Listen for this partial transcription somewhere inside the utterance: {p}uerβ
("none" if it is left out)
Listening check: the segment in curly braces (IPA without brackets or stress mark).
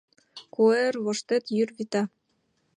k